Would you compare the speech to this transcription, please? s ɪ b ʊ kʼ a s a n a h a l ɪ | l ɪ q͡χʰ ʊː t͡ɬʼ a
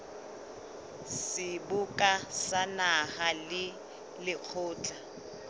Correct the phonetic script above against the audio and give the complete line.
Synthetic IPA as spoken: s ɪ b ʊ kʼ a s a n a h a l ɪ | l ɪ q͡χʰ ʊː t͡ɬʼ a